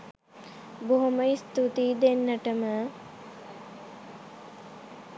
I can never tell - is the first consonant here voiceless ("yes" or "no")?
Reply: no